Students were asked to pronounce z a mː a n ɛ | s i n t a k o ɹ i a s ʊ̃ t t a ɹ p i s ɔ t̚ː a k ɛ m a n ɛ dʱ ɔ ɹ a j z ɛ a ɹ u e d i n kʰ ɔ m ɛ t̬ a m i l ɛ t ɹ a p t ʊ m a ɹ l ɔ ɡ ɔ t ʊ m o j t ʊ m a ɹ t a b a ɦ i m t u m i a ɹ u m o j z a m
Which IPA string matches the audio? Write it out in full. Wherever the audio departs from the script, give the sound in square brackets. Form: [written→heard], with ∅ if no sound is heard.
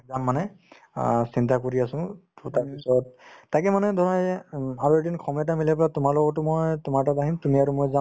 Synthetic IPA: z a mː a n ɛ | s i n t a k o ɹ i a s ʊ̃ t t a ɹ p i s ɔ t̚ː a k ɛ m a n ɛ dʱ ɔ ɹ a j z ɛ a ɹ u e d i n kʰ ɔ m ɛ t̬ a m i l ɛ [t→p] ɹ a [p→∅] t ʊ m a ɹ l ɔ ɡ ɔ t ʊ m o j t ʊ m a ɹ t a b a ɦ i m t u m i a ɹ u m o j z a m